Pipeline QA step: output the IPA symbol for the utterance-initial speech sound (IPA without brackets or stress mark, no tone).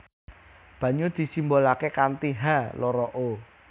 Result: b̥